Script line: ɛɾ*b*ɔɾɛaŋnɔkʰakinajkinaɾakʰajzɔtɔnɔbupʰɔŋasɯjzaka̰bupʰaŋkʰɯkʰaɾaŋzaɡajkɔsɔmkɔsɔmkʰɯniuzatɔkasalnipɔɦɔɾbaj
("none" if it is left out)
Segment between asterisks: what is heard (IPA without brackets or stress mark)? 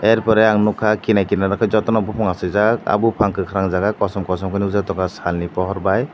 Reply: p